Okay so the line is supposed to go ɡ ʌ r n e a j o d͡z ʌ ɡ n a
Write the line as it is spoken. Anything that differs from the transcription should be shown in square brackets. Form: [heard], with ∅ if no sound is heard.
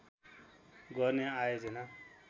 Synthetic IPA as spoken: ɡ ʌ r n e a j o d͡z ʌ [∅] n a